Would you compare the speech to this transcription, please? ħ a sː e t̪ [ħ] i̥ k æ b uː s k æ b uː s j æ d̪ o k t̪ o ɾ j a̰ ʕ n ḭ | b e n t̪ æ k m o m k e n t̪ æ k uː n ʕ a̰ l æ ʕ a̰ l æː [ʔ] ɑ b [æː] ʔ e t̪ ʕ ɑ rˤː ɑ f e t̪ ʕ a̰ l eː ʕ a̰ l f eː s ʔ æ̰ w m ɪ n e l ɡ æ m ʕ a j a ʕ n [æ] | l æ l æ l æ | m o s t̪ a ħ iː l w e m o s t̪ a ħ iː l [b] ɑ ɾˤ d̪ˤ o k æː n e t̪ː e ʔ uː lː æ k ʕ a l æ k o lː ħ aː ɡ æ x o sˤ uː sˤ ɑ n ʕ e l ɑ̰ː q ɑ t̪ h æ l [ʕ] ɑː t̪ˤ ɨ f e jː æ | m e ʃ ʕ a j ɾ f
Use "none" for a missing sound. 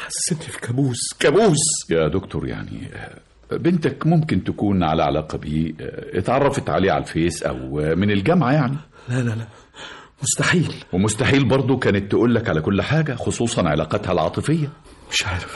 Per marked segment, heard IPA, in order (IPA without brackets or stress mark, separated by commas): f, q, iː, i, b, ʕ